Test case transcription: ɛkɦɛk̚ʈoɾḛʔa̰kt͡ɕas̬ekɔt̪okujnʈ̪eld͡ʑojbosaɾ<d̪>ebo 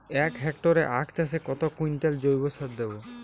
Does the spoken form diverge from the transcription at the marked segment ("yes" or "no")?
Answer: no